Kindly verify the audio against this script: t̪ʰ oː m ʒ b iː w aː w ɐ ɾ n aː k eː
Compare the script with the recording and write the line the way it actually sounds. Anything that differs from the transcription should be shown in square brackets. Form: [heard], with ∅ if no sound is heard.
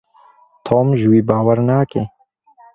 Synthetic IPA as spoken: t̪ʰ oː m ʒ [w] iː [b] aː w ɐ ɾ n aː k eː